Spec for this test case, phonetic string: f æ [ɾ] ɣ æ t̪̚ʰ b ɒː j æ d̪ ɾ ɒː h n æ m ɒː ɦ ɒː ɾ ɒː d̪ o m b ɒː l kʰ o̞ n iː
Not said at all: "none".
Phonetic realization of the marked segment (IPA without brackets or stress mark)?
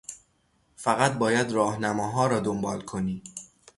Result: none